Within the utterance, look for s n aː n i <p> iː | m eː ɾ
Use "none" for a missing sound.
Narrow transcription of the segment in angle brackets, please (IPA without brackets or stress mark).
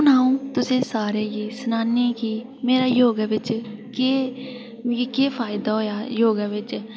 k